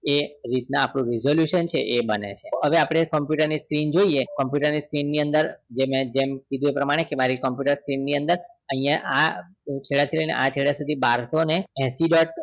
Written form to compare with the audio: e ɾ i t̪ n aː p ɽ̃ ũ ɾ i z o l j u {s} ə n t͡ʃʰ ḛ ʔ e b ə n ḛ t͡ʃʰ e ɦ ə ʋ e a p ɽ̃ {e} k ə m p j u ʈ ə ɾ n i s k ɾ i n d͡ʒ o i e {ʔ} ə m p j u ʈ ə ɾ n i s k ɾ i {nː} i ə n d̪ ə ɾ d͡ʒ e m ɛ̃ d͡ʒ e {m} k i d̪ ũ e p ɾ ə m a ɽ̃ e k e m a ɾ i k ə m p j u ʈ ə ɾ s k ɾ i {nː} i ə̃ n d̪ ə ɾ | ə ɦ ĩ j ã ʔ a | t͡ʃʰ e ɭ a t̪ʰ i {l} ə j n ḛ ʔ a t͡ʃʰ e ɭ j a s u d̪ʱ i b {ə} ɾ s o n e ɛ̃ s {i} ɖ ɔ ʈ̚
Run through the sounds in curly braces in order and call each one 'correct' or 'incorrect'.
incorrect: ʃ, correct, incorrect: k, correct, correct, correct, correct, incorrect: a, correct

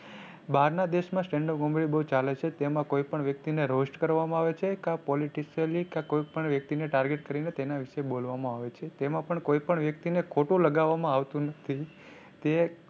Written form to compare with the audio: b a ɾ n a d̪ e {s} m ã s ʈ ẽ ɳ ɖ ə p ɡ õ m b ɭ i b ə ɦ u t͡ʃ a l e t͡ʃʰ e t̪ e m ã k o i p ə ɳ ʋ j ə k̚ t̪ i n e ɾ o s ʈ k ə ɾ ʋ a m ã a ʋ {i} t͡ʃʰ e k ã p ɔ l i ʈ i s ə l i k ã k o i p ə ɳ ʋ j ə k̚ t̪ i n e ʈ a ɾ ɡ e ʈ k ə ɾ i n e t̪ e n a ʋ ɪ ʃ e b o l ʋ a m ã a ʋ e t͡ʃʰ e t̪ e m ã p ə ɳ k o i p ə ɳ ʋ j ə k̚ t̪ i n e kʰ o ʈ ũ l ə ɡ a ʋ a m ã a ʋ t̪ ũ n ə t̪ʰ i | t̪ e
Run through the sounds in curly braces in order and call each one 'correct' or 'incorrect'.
incorrect: ʃ, incorrect: e

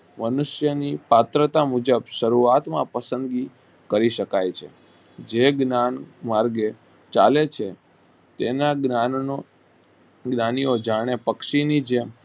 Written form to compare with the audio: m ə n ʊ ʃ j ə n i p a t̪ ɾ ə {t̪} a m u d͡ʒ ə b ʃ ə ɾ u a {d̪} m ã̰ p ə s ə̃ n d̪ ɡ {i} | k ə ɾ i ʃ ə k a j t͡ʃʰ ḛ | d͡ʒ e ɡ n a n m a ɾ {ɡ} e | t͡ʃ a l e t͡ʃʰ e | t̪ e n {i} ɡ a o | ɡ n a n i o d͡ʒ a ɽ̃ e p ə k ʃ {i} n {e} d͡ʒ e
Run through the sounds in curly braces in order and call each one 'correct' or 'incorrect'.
correct, incorrect: t̪, correct, correct, incorrect: a, correct, incorrect: i

